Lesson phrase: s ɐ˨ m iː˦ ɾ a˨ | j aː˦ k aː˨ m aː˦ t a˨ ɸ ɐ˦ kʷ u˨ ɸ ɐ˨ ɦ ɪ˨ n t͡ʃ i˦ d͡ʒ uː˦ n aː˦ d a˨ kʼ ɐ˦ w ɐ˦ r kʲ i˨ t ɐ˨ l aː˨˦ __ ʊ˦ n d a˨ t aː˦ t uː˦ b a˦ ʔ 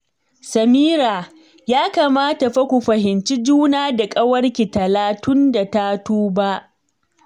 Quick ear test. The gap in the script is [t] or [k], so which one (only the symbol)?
t